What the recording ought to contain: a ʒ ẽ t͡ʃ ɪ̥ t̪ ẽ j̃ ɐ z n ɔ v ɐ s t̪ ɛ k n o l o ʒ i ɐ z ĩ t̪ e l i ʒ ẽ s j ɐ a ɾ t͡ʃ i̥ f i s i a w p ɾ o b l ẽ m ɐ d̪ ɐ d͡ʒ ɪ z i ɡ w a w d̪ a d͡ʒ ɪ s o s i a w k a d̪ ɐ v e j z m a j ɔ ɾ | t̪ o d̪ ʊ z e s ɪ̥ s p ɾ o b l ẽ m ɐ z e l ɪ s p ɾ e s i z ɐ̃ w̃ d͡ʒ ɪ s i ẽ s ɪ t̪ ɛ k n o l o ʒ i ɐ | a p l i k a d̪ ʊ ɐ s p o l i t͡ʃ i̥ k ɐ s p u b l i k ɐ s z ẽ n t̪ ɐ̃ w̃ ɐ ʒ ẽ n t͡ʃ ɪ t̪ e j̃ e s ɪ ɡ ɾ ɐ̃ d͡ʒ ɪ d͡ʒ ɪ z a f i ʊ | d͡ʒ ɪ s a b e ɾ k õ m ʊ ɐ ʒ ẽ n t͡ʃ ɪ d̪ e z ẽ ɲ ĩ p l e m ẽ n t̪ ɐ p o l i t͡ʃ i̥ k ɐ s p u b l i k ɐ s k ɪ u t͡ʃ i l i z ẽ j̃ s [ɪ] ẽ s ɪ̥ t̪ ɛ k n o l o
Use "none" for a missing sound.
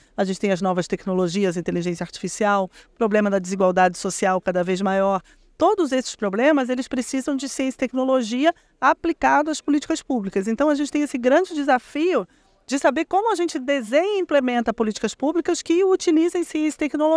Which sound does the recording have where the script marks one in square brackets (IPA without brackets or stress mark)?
i